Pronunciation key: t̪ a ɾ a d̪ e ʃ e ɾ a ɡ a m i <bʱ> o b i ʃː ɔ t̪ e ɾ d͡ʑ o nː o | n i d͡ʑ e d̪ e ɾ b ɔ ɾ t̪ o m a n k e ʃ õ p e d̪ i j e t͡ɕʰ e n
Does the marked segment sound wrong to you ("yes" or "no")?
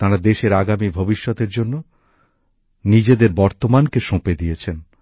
no